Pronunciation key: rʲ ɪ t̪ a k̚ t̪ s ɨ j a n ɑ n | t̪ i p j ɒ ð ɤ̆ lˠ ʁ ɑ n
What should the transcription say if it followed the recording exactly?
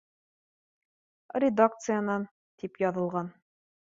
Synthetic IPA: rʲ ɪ d̪ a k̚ t̪ s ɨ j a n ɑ n | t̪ i p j ɒ ð ɤ̆ lˠ ʁ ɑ n